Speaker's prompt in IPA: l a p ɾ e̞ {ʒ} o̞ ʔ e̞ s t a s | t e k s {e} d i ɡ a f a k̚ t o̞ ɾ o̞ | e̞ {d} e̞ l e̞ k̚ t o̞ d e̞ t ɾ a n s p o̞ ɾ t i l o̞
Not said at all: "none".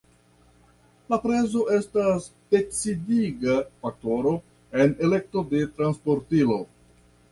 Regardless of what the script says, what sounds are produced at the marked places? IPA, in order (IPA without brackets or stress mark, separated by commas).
z, i, n